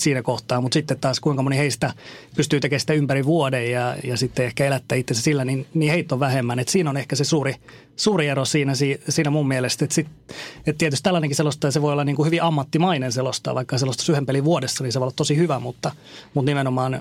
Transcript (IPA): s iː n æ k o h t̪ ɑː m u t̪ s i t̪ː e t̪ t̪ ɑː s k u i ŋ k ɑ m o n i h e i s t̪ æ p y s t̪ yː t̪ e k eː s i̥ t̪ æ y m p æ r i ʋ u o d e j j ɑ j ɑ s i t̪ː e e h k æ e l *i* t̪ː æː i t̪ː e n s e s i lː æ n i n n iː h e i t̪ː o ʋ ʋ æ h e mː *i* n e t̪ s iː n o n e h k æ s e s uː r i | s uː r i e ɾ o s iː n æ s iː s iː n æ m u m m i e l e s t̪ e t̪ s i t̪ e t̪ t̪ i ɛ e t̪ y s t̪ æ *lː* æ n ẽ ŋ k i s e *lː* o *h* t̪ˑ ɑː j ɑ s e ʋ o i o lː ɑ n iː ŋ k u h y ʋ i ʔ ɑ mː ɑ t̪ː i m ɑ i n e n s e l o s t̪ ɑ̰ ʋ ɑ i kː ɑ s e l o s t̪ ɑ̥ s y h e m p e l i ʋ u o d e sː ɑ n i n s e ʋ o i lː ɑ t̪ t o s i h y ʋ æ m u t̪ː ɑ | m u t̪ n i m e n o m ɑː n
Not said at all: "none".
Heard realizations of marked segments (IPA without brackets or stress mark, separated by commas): æ, æ, lː, l, s